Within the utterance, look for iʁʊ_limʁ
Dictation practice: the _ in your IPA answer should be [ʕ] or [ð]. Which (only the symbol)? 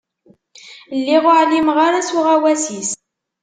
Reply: ʕ